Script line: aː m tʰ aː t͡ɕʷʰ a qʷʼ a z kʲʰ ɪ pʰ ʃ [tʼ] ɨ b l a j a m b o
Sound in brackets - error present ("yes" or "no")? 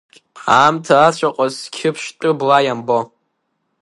no